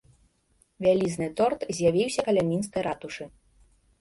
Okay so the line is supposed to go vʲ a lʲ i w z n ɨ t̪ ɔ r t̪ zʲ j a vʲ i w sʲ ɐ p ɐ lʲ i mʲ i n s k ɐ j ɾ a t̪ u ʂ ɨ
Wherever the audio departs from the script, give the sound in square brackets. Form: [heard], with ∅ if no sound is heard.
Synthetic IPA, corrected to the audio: vʲ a lʲ i [∅] z n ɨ t̪ ɔ r t̪ zʲ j a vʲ i w sʲ ɐ [k] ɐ lʲ [a] mʲ i n s k ɐ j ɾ a t̪ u ʂ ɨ